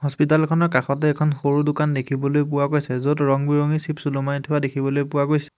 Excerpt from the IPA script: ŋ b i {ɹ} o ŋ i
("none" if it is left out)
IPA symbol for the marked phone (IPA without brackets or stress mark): ɹ